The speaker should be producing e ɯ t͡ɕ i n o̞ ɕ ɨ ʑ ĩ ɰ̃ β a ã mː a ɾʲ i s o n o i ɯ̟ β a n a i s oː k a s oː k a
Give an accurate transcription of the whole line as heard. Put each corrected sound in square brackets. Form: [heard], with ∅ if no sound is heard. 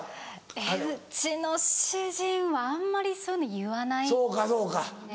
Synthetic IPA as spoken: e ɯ t͡ɕ i n o̞ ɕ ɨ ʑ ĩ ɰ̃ β a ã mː a ɾʲ i s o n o [j] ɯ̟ β a n a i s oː k a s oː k a